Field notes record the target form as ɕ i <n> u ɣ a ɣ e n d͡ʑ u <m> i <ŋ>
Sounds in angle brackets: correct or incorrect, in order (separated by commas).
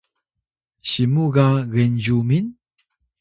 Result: incorrect, correct, incorrect